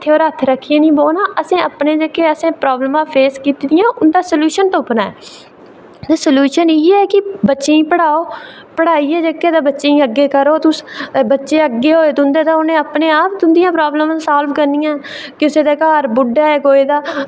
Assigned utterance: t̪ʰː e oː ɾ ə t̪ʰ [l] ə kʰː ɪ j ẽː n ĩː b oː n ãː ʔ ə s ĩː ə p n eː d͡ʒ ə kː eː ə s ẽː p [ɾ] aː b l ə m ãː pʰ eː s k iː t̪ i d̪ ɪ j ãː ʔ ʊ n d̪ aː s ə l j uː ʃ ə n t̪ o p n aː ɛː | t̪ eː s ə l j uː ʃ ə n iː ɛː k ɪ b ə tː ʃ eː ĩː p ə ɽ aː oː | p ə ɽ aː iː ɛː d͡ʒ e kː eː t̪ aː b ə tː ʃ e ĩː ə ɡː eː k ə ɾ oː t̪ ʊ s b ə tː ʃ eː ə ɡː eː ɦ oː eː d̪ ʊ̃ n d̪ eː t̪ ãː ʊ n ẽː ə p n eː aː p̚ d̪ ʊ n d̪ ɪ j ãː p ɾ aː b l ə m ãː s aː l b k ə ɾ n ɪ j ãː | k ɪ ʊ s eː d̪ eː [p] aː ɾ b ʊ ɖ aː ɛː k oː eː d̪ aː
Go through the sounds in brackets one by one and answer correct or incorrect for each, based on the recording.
incorrect, correct, incorrect

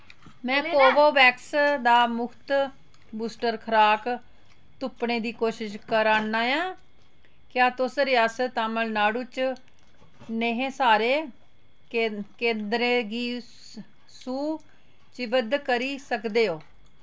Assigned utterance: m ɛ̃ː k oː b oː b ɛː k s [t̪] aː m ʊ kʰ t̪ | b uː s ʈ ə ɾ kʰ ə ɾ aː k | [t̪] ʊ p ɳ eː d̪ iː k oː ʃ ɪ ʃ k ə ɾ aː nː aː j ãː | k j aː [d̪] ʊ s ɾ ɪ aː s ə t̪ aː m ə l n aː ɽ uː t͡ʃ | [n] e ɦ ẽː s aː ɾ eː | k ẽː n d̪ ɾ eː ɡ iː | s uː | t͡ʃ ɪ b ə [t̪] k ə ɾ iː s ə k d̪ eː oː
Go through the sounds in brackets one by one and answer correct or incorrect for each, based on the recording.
incorrect, correct, incorrect, correct, incorrect

